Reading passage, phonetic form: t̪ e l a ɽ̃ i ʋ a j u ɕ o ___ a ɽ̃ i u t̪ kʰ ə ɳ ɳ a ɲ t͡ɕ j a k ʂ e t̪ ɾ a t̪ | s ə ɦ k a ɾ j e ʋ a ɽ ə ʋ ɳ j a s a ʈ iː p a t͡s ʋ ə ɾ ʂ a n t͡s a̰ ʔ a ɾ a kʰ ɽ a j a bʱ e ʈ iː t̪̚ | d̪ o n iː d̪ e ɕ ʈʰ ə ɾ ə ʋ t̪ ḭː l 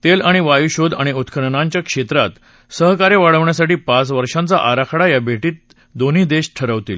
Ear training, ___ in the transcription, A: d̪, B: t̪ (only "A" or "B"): A